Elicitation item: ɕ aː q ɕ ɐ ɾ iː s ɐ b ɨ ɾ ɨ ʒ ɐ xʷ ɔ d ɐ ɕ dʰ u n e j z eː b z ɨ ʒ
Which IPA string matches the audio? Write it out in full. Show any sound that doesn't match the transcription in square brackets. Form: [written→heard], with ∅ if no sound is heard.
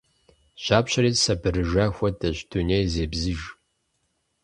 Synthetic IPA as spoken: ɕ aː [q→p] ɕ ɐ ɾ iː s ɐ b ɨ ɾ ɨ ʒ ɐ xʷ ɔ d ɐ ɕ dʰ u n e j z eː b z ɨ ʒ